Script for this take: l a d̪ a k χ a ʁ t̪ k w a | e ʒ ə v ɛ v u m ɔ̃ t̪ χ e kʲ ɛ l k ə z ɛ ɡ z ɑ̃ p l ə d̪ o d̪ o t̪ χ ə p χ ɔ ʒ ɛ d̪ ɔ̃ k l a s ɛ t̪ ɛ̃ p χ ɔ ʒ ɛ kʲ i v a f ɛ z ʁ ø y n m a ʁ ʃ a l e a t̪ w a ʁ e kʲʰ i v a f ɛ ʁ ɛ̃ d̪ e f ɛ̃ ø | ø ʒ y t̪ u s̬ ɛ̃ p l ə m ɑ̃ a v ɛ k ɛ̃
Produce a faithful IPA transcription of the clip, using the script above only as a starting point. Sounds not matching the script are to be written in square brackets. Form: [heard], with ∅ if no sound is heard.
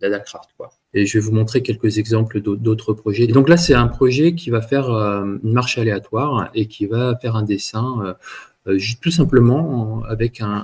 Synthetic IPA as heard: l a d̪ a k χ a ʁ t̪ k w a | e ʒ ə v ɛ v u m ɔ̃ t̪ χ e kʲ ɛ l k ə z ɛ ɡ z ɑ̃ p l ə d̪ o d̪ o t̪ χ ə p χ ɔ ʒ ɛ d̪ ɔ̃ k l a s ɛ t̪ ɛ̃ p χ ɔ ʒ ɛ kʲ i v a f ɛ [∅] ʁ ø y n m a ʁ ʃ a l e a t̪ w a ʁ e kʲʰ i v a f ɛ ʁ ɛ̃ d̪ e [s] ɛ̃ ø | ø ʒ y t̪ u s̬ ɛ̃ p l ə m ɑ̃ a v ɛ k ɛ̃